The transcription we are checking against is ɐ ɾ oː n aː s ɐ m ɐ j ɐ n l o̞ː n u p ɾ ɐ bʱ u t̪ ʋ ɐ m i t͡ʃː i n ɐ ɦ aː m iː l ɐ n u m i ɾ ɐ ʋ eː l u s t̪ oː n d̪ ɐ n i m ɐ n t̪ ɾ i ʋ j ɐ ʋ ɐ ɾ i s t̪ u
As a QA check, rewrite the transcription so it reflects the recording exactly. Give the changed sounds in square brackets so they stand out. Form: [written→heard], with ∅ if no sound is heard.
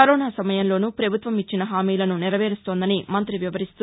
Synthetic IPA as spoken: ɐ ɾ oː n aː s ɐ m ɐ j ɐ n l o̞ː n u p ɾ ɐ bʱ u t̪ ʋ ɐ m i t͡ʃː i n ɐ ɦ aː m iː l ɐ n u [m→n] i ɾ ɐ ʋ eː [l→ɾ] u s t̪ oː n d̪ ɐ n i m ɐ n t̪ ɾ i ʋ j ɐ ʋ ɐ ɾ i s t̪ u